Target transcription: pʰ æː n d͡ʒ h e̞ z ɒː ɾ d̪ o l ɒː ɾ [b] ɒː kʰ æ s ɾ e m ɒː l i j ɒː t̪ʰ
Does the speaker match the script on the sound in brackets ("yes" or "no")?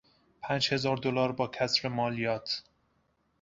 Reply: yes